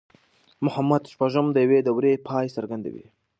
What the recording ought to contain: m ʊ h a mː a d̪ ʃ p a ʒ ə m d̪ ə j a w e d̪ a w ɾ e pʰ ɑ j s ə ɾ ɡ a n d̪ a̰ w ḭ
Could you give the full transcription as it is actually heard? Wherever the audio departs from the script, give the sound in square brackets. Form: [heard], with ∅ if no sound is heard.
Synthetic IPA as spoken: m ʊ h a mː a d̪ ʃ p a ʒ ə m d̪ ə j a w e d̪ a w ɾ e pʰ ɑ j s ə ɾ ɡ a n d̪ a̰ w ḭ